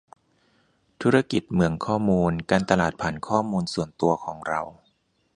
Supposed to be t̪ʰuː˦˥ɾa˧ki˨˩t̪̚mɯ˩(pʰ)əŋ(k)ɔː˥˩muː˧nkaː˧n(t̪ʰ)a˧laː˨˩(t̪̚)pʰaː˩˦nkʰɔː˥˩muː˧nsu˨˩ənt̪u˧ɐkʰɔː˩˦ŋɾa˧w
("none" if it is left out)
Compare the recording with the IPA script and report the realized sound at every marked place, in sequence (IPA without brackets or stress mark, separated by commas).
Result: none, kʰ, t̪, t̪̚